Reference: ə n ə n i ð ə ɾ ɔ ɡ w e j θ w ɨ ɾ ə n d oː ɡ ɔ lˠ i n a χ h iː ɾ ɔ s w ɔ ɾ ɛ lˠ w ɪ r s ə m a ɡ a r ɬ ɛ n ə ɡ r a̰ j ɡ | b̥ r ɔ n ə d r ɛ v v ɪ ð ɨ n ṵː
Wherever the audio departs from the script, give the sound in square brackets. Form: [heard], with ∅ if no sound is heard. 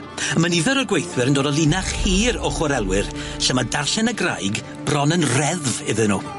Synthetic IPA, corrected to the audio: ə [m] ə n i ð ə ɾ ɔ ɡ w e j θ w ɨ ɾ ə n d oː [d] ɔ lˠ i n a χ h iː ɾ ɔ [χ] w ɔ ɾ ɛ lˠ w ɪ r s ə m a [d] a r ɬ ɛ n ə ɡ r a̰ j ɡ | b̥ r ɔ n ə [n] r ɛ [ð] v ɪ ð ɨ n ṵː